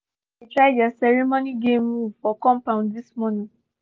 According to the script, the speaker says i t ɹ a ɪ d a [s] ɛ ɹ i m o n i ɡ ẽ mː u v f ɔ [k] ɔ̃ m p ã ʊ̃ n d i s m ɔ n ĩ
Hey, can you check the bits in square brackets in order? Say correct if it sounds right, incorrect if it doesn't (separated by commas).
correct, correct